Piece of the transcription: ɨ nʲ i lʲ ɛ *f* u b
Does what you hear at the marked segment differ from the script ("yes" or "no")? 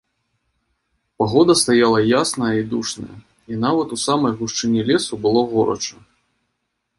yes